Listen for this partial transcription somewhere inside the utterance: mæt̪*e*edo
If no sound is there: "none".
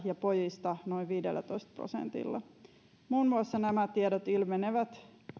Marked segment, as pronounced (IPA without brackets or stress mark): i